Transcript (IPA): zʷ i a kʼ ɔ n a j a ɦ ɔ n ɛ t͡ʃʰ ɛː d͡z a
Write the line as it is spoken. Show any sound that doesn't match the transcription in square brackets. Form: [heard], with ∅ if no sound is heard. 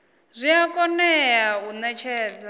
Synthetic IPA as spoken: zʷ i a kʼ ɔ n [ɛ] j a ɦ [u] n ɛ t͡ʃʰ ɛː d͡z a